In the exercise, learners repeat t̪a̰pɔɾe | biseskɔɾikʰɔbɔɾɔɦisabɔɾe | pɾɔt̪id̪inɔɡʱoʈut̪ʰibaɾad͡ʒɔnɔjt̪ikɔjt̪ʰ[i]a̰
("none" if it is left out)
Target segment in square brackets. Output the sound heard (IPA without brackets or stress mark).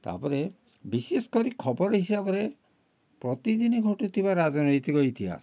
i